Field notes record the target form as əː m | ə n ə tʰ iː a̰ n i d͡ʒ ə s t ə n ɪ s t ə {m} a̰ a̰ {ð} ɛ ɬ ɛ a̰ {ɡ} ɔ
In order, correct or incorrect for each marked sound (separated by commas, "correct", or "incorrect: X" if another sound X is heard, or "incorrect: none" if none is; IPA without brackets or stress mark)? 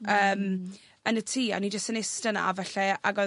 incorrect: n, incorrect: v, correct